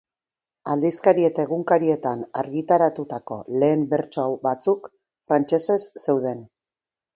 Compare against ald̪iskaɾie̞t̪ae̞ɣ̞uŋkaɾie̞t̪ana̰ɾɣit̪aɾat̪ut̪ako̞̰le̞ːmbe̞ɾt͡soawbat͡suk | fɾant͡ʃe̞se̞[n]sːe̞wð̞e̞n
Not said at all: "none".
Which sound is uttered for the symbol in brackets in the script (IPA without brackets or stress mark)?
none